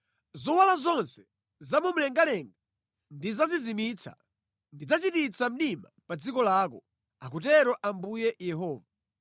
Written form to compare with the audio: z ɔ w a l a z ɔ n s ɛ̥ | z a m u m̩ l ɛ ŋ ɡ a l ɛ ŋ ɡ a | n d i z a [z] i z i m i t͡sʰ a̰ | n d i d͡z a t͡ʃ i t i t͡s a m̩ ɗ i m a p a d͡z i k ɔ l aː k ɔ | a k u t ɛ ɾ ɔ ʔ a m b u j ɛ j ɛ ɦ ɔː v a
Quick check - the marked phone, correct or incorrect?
correct